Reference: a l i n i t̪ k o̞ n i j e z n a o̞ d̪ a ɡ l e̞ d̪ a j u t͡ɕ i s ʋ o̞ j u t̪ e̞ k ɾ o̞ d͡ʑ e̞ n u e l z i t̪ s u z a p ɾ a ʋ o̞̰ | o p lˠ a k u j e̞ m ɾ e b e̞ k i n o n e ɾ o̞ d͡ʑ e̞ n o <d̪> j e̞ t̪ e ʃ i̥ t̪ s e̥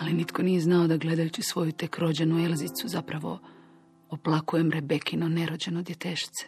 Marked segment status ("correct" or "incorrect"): correct